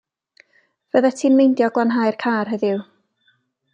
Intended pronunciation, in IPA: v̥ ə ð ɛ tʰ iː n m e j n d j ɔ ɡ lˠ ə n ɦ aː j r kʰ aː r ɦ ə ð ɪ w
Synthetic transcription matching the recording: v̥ ə ð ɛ tʰ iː n m e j n d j ɔ ɡ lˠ a n ɦ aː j r kʰ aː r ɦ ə ð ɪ w